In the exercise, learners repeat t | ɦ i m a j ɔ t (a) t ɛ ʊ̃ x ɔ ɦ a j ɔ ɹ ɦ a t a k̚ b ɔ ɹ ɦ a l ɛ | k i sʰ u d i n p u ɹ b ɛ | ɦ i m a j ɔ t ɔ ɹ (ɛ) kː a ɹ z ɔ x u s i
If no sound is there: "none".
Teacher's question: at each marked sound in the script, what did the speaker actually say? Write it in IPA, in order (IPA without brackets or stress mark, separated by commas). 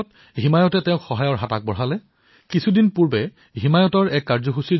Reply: ɛ, ɛ